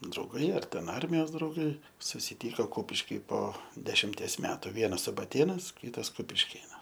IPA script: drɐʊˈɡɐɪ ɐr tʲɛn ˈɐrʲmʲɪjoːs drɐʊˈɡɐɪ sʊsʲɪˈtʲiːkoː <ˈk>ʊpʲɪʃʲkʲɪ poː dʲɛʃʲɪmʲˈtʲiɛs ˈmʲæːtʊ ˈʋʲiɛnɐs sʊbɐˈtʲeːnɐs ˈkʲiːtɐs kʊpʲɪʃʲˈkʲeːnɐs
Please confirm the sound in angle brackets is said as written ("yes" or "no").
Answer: yes